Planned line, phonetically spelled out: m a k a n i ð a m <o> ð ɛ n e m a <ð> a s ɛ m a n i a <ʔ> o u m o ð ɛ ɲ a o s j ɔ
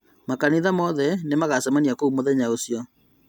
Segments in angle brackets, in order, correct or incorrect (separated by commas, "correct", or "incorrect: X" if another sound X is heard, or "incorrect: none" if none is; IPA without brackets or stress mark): incorrect: ɔ, incorrect: ɣ, incorrect: k